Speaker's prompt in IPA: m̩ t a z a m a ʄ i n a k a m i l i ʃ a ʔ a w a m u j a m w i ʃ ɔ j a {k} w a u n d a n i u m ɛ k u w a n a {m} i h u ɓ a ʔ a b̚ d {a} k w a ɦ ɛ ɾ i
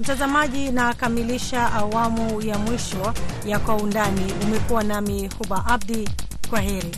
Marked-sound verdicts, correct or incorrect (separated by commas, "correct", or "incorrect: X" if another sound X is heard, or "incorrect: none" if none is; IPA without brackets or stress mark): correct, correct, incorrect: i